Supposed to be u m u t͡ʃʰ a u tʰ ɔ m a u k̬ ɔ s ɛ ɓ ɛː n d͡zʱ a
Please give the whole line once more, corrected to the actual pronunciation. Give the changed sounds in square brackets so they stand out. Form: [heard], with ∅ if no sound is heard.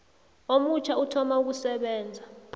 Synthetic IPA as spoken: [o] m u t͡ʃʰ a u tʰ ɔ m a u k̬ [u] s ɛ ɓ ɛː n d͡zʱ a